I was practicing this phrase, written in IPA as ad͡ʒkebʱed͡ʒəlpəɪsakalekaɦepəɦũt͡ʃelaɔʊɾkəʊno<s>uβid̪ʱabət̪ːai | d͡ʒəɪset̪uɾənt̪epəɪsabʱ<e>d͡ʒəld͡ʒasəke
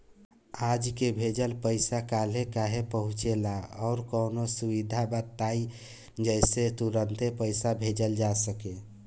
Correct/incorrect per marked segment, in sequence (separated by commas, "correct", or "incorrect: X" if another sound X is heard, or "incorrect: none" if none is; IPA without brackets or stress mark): correct, correct